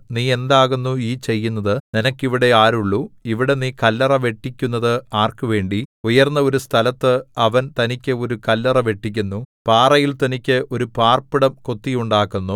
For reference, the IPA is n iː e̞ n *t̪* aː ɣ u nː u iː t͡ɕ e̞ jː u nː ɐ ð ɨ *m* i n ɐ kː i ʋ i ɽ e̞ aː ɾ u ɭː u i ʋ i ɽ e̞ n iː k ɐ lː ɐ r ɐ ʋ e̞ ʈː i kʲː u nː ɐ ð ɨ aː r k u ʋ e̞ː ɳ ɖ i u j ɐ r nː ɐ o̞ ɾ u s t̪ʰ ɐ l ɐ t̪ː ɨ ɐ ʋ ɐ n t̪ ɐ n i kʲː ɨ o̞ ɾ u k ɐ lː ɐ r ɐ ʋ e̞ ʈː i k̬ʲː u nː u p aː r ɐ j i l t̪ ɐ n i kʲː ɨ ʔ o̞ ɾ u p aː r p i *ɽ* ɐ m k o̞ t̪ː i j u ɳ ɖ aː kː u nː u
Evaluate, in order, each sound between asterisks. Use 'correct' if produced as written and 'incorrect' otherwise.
incorrect: d̪, incorrect: n, correct

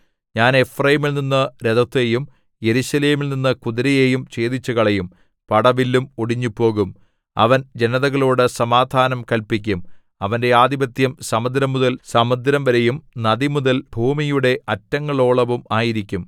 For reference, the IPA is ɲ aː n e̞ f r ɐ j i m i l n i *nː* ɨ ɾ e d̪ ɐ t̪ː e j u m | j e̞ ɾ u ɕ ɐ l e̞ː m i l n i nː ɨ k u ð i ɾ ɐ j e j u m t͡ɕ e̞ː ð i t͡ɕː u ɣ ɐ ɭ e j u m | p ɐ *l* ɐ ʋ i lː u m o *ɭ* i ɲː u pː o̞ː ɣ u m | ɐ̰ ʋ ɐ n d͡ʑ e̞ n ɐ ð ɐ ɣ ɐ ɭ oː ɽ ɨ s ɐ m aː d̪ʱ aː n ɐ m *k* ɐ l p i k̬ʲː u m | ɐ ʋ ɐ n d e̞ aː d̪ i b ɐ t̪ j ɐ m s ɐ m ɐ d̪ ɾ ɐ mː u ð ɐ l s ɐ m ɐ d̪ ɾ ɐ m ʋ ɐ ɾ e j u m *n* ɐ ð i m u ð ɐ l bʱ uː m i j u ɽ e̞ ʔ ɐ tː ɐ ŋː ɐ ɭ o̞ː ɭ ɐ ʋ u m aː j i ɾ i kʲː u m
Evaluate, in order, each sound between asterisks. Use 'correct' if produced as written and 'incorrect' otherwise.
correct, incorrect: ɽ, incorrect: ɽ, correct, correct

